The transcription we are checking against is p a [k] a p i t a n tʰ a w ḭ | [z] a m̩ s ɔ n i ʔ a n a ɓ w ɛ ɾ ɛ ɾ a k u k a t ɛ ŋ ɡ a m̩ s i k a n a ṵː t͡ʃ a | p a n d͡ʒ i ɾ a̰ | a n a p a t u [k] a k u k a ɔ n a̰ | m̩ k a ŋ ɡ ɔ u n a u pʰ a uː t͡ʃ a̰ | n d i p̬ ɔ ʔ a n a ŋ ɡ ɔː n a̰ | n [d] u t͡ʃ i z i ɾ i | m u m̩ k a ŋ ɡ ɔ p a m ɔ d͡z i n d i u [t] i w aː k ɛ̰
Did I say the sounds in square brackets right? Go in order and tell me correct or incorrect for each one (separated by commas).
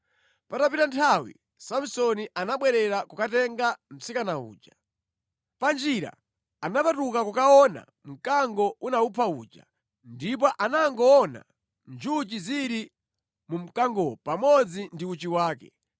incorrect, incorrect, correct, incorrect, incorrect